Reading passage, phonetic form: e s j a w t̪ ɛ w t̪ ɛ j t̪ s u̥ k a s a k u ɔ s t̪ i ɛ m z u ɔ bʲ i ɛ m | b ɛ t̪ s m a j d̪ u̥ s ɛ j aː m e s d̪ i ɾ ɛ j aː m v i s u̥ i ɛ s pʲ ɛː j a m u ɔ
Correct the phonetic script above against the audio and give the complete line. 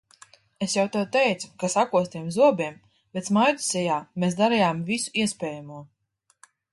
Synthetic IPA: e s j a w t̪ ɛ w t̪ ɛ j t̪ s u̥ k a s a k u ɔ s t̪ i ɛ m z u ɔ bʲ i ɛ m | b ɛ t̪ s m a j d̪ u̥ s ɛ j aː m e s d̪ a ɾ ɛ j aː m v i s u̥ i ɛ s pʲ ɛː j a m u ɔ